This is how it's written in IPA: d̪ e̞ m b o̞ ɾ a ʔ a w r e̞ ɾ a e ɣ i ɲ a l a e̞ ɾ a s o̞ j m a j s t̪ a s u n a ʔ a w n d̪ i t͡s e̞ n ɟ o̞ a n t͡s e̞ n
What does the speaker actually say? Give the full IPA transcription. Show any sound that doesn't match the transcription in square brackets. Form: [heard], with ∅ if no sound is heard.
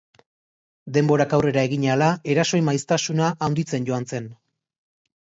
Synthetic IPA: d̪ e̞ m b o̞ ɾ a [k] a w r e̞ ɾ a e ɣ i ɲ a l a e̞ ɾ a s o̞ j m a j s t̪ a s u n a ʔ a w n d̪ i t͡s e̞ n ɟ o̞ a n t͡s e̞ n